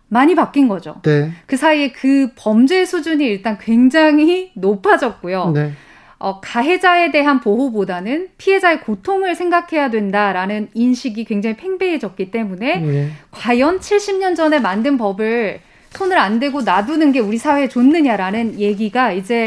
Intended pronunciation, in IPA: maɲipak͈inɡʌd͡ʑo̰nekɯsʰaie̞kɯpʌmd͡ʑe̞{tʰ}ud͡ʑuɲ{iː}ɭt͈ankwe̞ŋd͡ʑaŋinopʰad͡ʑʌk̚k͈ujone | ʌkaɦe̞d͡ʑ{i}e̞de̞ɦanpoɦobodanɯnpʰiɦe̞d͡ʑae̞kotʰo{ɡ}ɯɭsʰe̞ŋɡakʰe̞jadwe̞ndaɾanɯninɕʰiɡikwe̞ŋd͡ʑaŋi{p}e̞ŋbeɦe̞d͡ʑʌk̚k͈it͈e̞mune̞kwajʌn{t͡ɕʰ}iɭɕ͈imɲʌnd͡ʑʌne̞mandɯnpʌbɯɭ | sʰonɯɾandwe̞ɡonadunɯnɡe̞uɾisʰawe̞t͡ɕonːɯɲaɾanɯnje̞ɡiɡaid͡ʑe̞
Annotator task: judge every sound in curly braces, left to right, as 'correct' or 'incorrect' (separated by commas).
incorrect, correct, incorrect, incorrect, incorrect, correct